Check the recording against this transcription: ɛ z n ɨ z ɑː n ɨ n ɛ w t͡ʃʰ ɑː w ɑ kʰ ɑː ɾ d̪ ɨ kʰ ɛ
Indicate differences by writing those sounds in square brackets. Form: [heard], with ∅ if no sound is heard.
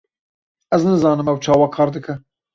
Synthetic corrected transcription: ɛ z n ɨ z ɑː n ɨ [m] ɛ w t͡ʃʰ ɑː w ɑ kʰ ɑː ɾ d̪ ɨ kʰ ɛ